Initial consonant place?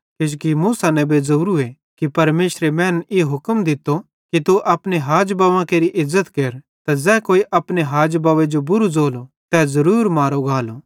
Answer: velar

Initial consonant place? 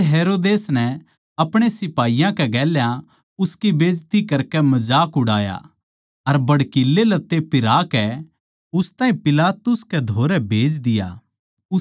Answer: glottal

